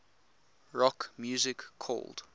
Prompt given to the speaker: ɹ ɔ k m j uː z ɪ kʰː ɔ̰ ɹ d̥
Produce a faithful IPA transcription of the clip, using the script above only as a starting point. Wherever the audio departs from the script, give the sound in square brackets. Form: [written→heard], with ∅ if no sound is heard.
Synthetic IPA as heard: ɹ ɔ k m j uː z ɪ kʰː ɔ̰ [ɹ→l] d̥